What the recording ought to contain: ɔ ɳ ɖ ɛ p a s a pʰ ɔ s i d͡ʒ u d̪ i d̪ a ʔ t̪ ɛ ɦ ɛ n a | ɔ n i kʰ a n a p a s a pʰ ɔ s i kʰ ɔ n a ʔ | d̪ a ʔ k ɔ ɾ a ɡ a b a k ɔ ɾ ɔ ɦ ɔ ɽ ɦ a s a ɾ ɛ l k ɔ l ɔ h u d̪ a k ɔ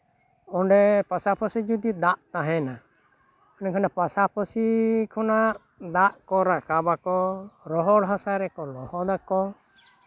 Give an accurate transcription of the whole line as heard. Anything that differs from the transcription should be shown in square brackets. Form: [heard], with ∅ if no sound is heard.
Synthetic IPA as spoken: ɔ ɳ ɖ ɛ p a s a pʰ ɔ s i d͡ʒ u d̪ i d̪ a ʔ t̪ [a] ɦ ɛ n a | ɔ n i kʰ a n a p a s a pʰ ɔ s i kʰ ɔ n a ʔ | d̪ a ʔ k ɔ ɾ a [k] a b a k ɔ ɾ ɔ ɦ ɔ ɽ ɦ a s a ɾ ɛ [∅] k ɔ l ɔ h [ɔ] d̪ a k ɔ

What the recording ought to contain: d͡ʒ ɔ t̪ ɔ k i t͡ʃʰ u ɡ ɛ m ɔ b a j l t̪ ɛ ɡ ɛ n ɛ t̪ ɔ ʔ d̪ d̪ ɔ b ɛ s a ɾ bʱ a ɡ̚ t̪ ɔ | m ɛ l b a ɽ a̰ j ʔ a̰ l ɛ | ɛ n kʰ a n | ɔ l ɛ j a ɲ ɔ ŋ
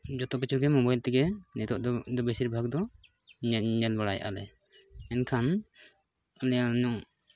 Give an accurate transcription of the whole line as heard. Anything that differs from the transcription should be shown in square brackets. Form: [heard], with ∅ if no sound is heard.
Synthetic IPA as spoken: d͡ʒ ɔ t̪ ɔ k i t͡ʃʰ u ɡ ɛ m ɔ b a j l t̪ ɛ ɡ ɛ n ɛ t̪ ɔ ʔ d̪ d̪ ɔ b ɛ s [i] ɾ bʱ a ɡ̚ [d̪] ɔ | [ɲ] ɛ l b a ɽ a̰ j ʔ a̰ l ɛ | ɛ n kʰ a n | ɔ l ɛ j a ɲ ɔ ŋ

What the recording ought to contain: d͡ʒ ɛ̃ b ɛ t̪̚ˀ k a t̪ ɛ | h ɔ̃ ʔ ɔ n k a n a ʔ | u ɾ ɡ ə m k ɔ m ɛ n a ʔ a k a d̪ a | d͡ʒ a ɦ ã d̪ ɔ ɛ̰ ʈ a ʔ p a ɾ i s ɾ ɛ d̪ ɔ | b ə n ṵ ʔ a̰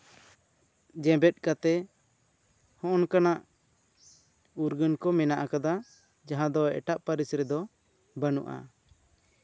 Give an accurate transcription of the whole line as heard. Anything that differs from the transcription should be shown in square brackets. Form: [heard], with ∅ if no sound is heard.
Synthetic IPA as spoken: d͡ʒ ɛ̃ b ɛ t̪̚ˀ k a t̪ ɛ | h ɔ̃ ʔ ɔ n k a n a ʔ | u ɾ ɡ ə [n] k ɔ m ɛ n a ʔ a k a d̪ a | d͡ʒ a ɦ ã d̪ ɔ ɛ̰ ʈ a ʔ p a ɾ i s ɾ ɛ d̪ ɔ | b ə n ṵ ʔ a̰

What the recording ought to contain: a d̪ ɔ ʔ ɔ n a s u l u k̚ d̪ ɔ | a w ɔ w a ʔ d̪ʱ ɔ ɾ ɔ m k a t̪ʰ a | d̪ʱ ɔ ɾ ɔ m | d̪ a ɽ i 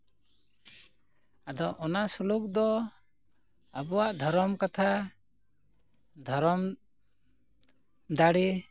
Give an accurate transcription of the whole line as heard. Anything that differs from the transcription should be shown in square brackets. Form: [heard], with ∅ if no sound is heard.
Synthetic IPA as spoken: a d̪ ɔ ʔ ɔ n a s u l u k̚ d̪ ɔ | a [b] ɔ w a ʔ d̪ʱ ɔ ɾ ɔ m k a t̪ʰ a | d̪ʱ ɔ ɾ ɔ m | d̪ a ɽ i

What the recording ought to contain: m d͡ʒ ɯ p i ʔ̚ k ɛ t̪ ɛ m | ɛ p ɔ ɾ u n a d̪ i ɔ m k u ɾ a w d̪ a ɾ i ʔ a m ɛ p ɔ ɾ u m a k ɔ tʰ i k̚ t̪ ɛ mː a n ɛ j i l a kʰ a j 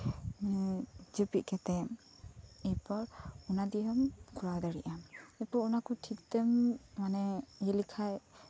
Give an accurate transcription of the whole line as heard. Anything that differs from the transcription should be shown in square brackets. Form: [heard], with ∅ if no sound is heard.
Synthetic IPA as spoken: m d͡ʒ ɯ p i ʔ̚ k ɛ t̪ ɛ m | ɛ p ɔ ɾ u n a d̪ i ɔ m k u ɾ a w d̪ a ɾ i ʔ a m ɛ p ɔ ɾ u [n] a k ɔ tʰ i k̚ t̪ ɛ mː a n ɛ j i l [i] kʰ a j

